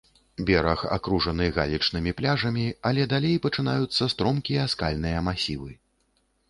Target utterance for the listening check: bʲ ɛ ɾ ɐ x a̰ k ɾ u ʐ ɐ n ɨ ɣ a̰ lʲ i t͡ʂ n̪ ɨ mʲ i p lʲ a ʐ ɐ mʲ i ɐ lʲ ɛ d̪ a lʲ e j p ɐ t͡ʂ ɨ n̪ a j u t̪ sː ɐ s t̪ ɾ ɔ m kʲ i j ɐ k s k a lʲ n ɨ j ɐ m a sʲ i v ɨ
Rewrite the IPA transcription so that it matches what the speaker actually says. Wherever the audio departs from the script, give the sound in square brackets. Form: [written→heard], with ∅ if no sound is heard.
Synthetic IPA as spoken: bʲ ɛ ɾ ɐ x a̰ k ɾ u ʐ ɐ n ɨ ɣ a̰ lʲ i t͡ʂ n̪ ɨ mʲ i p lʲ a ʐ ɐ mʲ i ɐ lʲ ɛ d̪ a lʲ e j p ɐ t͡ʂ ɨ n̪ a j u t̪ sː ɐ s t̪ ɾ ɔ m kʲ i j ɐ [k→∅] s k a lʲ n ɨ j ɐ m a sʲ i v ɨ

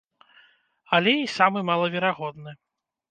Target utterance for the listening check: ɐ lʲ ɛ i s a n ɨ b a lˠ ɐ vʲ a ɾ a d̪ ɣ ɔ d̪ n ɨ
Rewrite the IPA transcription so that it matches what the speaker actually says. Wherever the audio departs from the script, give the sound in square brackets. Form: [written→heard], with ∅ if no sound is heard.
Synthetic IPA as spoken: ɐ lʲ ɛ i s a [n→m] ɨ [b→m] a lˠ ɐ vʲ [a→ɛ] ɾ a [d̪→∅] ɣ ɔ d̪ n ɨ

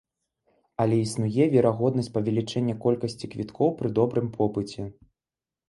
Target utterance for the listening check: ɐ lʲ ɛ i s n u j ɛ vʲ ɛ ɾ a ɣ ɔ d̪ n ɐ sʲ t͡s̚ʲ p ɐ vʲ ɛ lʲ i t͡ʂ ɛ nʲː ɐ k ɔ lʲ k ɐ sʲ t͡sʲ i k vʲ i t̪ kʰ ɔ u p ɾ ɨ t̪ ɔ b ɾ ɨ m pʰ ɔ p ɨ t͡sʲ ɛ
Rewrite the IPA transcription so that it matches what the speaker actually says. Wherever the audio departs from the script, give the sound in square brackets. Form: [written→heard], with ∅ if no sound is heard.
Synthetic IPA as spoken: ɐ lʲ ɛ i s n u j ɛ vʲ ɛ ɾ a ɣ ɔ d̪ n ɐ sʲ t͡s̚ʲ p ɐ vʲ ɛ lʲ i t͡ʂ ɛ nʲː ɐ k ɔ lʲ k ɐ sʲ t͡sʲ i k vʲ i t̪ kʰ ɔ [u→w] p ɾ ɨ [t̪→d̪] ɔ b ɾ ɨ m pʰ ɔ p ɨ t͡sʲ ɛ

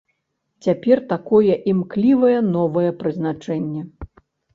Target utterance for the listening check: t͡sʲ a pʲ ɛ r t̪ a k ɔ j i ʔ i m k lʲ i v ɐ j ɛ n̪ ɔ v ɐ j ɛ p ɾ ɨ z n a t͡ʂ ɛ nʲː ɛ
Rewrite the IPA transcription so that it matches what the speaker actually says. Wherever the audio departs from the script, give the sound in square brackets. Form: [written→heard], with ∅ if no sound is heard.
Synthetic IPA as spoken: t͡sʲ a pʲ ɛ r t̪ a k ɔ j [i→ɛ] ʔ i m k lʲ i v ɐ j ɛ n̪ ɔ v ɐ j ɛ p ɾ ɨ z n a t͡ʂ ɛ nʲː ɛ

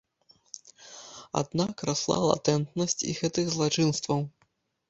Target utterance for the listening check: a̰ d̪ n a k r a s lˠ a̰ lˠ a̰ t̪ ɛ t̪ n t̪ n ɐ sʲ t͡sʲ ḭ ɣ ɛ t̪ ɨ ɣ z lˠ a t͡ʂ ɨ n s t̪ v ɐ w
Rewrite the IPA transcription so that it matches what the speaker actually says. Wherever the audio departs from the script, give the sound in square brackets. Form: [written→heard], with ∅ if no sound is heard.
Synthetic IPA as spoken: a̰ d̪ n a k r a s lˠ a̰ lˠ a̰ t̪ ɛ [t̪→∅] n t̪ n ɐ sʲ t͡sʲ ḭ ɣ ɛ t̪ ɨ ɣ z lˠ a t͡ʂ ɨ n s t̪ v ɐ w

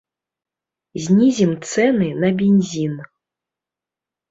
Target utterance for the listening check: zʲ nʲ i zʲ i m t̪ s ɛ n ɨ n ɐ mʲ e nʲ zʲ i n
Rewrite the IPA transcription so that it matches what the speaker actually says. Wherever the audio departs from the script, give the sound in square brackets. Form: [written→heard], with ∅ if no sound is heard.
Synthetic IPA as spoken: zʲ nʲ i zʲ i m t̪ s ɛ n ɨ n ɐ [mʲ→bʲ] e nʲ zʲ i n

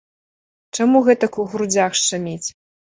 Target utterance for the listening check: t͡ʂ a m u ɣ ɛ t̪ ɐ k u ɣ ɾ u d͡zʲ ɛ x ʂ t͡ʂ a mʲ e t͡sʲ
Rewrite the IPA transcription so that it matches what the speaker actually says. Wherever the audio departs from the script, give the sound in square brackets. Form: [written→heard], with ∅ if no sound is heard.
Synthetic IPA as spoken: t͡ʂ a m u ɣ ɛ t̪ ɐ k u ɣ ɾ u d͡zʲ [ɛ→a] x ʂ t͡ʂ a mʲ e t͡sʲ

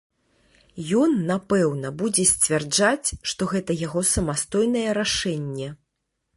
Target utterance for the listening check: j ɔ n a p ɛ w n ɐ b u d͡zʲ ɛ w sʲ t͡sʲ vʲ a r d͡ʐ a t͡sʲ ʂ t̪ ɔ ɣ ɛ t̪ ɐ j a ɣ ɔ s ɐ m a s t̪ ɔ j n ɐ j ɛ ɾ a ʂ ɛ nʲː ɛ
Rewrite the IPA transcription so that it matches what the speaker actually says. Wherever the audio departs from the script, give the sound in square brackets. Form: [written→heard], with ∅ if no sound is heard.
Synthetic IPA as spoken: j ɔ [n→nː] a p ɛ w n ɐ b u d͡zʲ ɛ [w→∅] sʲ t͡sʲ vʲ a r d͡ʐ a t͡sʲ ʂ t̪ ɔ ɣ ɛ t̪ ɐ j a ɣ ɔ s ɐ m a s t̪ ɔ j n ɐ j ɛ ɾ a ʂ ɛ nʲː ɛ

